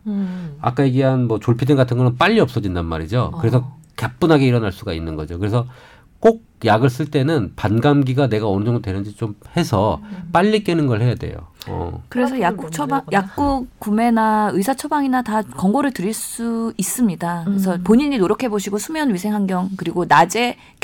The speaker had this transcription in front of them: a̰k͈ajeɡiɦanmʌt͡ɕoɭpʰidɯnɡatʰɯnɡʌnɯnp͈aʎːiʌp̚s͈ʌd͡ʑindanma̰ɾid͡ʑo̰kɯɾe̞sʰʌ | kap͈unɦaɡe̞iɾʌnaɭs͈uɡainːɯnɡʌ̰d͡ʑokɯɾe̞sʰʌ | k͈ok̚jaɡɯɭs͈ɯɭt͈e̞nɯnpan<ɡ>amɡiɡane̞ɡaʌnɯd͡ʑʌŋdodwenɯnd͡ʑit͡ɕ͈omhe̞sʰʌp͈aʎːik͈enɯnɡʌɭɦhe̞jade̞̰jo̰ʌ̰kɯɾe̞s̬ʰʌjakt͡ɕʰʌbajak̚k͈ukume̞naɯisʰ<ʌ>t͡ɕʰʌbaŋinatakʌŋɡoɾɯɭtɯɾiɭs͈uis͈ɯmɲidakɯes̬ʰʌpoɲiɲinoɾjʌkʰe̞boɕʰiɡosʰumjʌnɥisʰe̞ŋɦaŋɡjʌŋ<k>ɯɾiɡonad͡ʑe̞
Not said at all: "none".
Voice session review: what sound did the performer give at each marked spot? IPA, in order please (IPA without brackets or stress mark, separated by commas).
ɡ, a, k